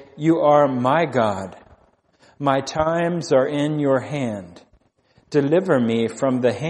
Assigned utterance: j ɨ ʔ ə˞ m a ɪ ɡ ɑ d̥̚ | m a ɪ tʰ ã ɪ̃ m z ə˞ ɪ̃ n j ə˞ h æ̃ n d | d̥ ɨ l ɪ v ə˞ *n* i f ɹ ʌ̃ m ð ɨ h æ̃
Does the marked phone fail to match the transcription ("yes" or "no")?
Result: yes